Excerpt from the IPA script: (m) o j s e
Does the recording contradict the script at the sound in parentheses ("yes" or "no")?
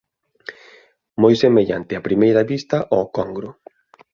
no